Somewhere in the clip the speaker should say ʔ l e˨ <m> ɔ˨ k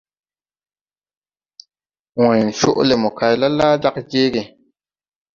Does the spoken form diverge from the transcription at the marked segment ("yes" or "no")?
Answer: no